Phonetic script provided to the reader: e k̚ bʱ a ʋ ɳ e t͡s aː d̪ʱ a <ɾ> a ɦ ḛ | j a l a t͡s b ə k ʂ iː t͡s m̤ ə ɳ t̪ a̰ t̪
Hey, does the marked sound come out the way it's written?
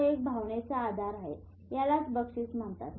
yes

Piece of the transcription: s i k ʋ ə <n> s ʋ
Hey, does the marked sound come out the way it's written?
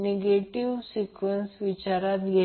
yes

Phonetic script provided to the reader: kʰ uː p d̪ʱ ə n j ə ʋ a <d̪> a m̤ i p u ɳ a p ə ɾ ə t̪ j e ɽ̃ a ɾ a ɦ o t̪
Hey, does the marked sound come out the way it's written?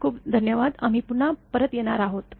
yes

